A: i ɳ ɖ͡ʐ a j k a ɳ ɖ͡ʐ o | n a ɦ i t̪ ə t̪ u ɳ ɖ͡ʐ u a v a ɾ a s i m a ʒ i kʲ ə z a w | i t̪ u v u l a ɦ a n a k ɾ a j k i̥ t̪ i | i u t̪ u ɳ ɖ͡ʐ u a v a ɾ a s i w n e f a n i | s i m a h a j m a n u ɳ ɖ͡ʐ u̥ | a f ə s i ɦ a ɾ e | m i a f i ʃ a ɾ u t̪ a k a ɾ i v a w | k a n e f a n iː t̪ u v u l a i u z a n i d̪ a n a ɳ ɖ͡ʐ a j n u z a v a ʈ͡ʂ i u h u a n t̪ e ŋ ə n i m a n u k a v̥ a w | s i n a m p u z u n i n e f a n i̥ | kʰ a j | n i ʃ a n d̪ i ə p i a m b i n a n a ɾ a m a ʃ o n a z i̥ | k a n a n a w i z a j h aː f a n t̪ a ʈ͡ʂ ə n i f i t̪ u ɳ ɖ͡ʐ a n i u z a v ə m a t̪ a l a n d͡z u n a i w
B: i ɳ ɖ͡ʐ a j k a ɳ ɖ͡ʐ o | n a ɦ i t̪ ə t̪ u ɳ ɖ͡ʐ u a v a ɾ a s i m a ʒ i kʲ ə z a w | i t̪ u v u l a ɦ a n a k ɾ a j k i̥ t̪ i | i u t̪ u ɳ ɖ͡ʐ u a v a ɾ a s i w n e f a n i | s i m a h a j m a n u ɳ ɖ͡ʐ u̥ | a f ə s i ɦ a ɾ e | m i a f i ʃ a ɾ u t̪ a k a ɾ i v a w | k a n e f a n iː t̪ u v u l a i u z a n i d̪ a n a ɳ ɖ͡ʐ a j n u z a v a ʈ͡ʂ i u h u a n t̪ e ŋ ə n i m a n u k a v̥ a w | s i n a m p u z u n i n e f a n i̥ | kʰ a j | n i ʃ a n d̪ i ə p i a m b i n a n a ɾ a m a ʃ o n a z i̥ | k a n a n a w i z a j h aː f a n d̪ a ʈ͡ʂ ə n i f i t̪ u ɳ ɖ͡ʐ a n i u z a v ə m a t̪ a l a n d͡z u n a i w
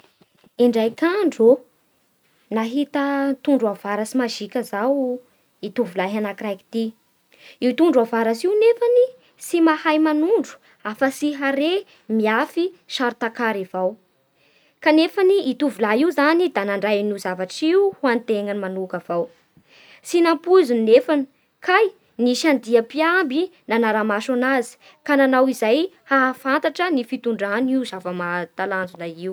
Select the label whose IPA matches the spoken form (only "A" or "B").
A